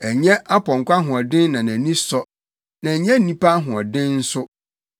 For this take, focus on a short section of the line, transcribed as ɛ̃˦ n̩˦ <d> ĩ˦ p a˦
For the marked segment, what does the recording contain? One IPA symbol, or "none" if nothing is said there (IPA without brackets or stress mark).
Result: n